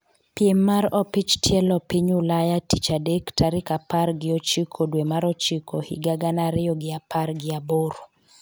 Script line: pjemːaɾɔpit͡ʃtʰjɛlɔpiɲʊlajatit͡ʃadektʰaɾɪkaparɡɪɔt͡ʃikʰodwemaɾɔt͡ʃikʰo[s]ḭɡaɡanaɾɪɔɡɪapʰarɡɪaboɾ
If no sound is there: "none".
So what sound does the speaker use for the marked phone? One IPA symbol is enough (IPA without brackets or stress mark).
h